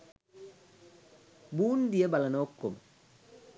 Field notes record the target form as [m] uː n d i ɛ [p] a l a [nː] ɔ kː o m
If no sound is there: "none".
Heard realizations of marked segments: b, b, n

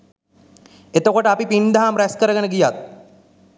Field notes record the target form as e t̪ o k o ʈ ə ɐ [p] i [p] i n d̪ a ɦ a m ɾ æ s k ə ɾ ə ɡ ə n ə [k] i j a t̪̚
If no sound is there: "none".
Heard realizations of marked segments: p, p, ɡ

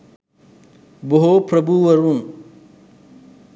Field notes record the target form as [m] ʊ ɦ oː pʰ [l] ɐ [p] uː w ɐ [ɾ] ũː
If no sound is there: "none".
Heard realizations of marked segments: b, ɾ, b, ɾ

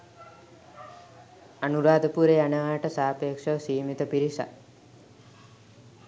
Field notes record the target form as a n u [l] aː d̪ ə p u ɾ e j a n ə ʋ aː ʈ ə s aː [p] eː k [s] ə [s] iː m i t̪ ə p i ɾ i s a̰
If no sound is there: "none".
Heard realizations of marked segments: ɾ, p, ʂ, s

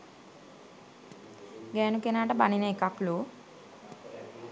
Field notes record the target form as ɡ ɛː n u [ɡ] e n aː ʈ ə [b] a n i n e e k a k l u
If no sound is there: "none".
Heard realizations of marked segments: k, b

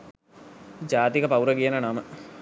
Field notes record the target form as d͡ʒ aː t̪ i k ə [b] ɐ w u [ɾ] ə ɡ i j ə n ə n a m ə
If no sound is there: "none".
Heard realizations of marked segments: p, ɾ

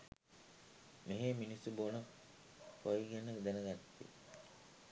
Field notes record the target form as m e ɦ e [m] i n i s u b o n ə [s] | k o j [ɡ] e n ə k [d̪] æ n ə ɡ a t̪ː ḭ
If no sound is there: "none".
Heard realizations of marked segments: m, none, ɡ, d̪

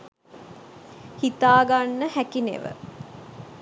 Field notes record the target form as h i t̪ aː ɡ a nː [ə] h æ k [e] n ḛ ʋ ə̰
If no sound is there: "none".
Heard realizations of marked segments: ə, i

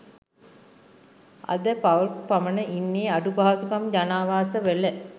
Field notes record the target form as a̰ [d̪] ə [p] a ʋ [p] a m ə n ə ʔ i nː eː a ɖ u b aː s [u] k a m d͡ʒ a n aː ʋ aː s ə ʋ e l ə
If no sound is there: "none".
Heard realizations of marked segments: d̪, p, p, u

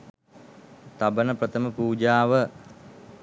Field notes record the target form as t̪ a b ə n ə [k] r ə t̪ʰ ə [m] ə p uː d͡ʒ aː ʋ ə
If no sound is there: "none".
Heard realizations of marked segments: p, m

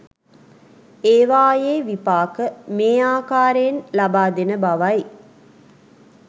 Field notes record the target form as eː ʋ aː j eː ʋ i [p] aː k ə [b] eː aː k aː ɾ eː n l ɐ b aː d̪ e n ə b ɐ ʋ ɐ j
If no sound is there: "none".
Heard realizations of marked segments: p, m

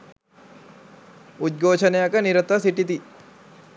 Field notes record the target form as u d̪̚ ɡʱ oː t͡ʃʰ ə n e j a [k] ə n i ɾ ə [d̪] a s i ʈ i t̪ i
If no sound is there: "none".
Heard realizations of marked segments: k, t̪

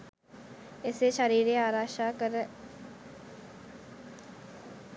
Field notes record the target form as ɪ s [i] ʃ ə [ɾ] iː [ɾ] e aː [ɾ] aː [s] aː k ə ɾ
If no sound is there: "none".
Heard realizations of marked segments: e, ɾ, ɾ, ɾ, ʃ

